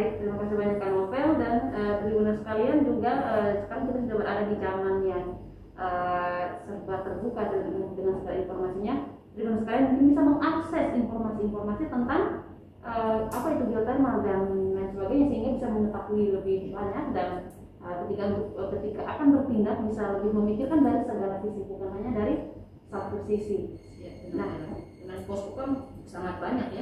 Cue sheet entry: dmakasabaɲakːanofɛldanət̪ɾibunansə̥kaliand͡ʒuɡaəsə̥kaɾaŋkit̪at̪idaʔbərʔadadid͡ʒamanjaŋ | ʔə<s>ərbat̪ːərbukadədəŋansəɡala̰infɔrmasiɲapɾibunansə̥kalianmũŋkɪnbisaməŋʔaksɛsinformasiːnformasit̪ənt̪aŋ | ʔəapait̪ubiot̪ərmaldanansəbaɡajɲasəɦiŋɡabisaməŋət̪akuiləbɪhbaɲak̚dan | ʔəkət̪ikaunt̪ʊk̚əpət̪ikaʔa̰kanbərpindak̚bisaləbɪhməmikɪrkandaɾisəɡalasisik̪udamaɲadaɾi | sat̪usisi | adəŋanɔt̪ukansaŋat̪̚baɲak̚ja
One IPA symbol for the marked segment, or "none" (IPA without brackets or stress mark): s